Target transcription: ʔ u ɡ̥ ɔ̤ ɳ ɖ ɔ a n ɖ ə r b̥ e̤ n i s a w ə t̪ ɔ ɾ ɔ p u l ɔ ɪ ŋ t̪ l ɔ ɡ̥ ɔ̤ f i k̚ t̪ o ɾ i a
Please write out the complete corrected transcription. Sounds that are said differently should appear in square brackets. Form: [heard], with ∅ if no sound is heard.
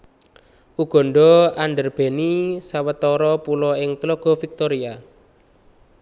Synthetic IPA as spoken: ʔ u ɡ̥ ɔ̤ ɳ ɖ ɔ a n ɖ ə r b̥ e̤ n i s a w ə t̪ ɔ ɾ ɔ p u l ɔ ɪ ŋ t̪ l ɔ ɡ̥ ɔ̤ f i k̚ t̪ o ɾ i a